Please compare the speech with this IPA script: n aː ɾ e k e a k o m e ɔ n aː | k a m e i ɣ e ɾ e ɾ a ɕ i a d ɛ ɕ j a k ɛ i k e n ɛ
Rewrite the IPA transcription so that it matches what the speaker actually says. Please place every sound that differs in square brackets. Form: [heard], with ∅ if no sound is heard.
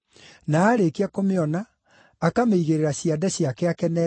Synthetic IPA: n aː ɾ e k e a k o m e ɔ n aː | k a m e i ɣ e ɾ e ɾ a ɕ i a d ɛ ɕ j a k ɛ [a] k [ɛ] n ɛ